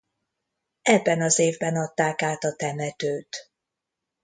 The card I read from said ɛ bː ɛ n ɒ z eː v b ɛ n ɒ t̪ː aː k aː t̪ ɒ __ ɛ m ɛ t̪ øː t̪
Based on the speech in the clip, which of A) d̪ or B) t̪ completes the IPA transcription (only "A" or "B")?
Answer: B